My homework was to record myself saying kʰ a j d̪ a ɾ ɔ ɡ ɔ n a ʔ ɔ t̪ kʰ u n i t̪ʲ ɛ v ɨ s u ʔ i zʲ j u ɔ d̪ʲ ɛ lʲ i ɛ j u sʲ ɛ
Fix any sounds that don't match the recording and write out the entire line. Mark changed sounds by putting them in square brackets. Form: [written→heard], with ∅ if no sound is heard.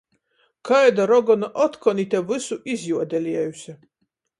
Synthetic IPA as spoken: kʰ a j d̪ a ɾ ɔ ɡ ɔ n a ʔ ɔ t̪ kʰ [u→ɔ] n i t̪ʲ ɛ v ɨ s u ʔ i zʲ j u ɔ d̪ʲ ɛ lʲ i ɛ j u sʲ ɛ